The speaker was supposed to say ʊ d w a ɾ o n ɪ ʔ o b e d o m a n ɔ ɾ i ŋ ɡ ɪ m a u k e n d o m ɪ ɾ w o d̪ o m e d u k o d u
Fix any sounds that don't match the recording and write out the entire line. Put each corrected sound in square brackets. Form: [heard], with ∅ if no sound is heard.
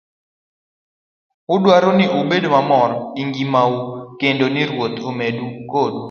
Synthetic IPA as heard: ʊ d w a ɾ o n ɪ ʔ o b e d o m a [m] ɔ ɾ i ŋ ɡ [i] m a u k e n d o [n] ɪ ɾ w o [t̪] o m e d u k o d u

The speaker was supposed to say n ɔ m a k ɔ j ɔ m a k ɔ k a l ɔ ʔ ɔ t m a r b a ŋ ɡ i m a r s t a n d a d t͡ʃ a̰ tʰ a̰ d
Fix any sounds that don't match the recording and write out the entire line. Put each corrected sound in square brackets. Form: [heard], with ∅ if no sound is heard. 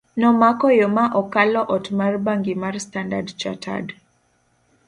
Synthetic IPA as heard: n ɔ m a k ɔ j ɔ m a [ʔ] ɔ k a l ɔ ʔ ɔ t m a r b a ŋ ɡ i m a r s t a n d a d t͡ʃ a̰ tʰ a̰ d

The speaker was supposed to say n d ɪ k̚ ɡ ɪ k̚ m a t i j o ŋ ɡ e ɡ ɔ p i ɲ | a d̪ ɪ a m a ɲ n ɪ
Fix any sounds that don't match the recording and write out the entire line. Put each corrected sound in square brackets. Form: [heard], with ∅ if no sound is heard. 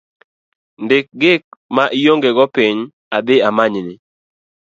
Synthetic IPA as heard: n d ɪ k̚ ɡ ɪ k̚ m a [ʔ] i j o ŋ ɡ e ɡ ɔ p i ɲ | a d̪ ɪ a m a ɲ n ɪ

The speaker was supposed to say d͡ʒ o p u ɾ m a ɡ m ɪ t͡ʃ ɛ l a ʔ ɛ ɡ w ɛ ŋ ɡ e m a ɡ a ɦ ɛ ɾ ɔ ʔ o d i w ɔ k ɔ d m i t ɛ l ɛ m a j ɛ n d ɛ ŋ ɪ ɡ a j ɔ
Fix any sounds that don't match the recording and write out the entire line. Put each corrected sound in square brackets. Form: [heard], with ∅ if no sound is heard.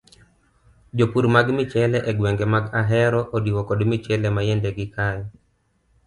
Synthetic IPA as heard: d͡ʒ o p u ɾ m a ɡ m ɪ t͡ʃ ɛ l [ɛ] ʔ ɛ ɡ w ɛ ŋ ɡ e m a ɡ a ɦ ɛ ɾ ɔ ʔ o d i w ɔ k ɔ d m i [t͡ʃ] ɛ l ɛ m a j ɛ n d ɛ [ɡ] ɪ [k] a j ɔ

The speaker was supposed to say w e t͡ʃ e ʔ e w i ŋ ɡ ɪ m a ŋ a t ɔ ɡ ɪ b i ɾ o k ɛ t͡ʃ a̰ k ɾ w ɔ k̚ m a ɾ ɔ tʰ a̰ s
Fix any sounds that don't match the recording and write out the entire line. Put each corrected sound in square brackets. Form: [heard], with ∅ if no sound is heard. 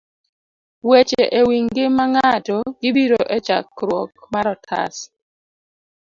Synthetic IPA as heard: w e t͡ʃ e ʔ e w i ŋ ɡ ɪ m a ŋ a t ɔ ɡ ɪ b i ɾ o [ʔ] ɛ t͡ʃ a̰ k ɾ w ɔ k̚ m a ɾ ɔ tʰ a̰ s

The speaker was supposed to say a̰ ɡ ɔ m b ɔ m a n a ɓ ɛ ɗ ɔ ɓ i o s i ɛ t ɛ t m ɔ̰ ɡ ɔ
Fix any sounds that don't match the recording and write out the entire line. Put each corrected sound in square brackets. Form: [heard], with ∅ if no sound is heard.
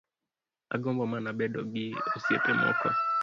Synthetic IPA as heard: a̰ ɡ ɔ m b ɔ m a n a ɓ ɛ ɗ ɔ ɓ i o s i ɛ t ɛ [∅] m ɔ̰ [k] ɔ

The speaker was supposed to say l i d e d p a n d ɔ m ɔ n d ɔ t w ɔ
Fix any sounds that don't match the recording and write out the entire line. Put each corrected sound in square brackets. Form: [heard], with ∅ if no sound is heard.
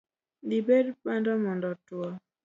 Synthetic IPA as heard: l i [b] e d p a n d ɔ m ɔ n d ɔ t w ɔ

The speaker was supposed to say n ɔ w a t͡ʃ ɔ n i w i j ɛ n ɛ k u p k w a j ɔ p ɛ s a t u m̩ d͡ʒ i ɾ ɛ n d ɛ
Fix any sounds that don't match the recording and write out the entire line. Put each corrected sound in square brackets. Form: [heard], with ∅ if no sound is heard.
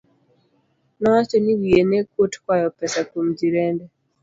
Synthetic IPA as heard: n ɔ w a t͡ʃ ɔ n i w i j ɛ n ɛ k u [t] k w a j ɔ p ɛ s a [k] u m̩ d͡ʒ i ɾ ɛ n d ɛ

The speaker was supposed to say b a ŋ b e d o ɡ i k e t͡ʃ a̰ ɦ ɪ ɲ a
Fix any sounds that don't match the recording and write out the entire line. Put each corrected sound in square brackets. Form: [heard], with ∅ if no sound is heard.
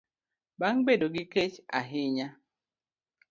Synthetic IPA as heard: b a ŋ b e d o ɡ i k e t͡ʃ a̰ ɦ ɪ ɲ a

